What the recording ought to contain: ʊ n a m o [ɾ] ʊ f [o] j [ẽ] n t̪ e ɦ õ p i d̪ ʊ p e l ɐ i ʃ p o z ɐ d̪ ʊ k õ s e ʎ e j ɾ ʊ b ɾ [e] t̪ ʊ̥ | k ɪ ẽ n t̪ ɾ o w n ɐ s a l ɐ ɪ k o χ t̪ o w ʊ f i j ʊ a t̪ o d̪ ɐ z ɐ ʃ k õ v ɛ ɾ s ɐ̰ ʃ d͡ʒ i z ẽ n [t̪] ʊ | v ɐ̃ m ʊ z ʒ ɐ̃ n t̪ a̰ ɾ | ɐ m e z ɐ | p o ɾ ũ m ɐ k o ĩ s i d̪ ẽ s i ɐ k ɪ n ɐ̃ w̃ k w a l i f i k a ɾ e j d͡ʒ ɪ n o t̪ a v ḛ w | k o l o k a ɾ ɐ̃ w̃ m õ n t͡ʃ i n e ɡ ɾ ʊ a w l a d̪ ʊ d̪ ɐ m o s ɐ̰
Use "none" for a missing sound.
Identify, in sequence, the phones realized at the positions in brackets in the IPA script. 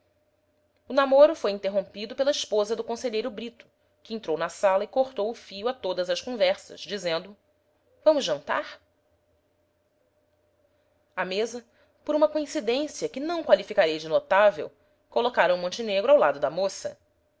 ɾ, o, ĩ, i, d̪

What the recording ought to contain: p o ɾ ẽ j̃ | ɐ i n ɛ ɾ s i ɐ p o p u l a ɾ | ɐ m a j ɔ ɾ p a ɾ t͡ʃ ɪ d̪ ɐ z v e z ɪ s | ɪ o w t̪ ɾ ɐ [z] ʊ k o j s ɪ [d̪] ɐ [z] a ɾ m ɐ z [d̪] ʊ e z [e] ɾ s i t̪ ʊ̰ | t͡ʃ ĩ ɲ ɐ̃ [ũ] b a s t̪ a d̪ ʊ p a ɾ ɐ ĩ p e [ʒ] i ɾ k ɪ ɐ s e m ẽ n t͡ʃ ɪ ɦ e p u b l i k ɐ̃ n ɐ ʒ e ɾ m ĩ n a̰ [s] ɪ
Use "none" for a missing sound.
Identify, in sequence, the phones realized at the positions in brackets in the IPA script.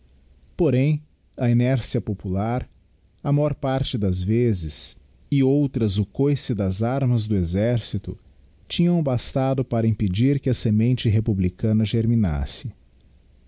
z, d̪, z, d̪, ɛ, w̃, d͡ʒ, s

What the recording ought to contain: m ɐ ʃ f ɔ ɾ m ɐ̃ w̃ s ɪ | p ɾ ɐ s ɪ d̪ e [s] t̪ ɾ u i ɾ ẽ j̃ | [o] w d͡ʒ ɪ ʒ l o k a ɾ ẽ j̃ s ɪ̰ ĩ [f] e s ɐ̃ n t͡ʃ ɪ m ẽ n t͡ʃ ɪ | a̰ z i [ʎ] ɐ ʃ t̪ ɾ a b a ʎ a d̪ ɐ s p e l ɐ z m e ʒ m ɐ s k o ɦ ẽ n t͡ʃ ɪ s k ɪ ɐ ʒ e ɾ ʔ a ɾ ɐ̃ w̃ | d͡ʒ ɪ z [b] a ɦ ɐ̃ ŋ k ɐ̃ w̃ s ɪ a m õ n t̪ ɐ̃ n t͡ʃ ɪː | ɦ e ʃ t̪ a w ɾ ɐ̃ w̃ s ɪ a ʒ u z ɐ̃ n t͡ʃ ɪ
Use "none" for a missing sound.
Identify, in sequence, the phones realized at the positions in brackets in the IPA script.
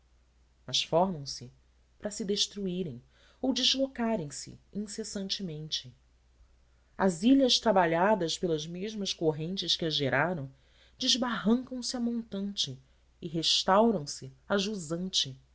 ʃ, o, s, ʎ, b

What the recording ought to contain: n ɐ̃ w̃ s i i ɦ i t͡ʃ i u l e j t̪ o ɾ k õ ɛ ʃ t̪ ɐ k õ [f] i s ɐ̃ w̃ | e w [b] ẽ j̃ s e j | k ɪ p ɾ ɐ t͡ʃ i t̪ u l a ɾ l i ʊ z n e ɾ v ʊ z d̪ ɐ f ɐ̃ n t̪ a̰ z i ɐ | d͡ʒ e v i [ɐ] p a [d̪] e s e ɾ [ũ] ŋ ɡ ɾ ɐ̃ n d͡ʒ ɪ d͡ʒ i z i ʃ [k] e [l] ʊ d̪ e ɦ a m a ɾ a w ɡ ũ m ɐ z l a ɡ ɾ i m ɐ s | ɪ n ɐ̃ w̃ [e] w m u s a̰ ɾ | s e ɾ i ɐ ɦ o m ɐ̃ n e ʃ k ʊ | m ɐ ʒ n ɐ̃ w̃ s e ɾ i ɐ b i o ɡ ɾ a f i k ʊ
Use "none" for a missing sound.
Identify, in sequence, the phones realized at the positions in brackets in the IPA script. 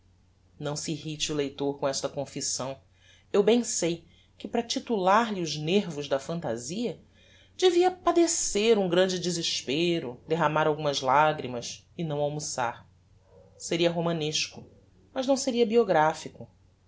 f, b, ɐ, d̪, ũ, p, ɾ, a

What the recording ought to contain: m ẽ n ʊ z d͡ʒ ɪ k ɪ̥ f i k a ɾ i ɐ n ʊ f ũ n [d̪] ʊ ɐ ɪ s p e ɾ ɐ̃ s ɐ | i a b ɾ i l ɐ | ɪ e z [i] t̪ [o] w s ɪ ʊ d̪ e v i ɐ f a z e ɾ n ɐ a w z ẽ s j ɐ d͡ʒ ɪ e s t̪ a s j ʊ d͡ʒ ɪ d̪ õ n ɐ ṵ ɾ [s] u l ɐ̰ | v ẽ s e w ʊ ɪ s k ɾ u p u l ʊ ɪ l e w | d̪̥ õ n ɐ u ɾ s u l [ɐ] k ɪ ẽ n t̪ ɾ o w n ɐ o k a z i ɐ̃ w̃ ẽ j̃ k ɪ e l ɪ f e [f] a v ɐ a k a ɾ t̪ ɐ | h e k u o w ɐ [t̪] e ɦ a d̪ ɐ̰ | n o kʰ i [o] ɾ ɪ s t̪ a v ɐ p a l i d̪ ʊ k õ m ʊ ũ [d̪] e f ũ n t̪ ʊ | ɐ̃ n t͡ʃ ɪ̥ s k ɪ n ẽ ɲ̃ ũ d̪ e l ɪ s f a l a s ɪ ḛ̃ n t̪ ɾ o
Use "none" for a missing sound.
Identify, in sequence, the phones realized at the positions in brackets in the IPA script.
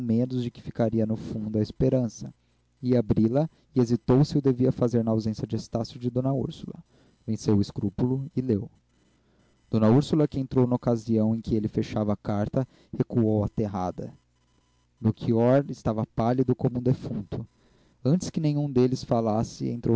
d̪, i, o, s, ɐ, ʃ, t̪, ɔ, d̪

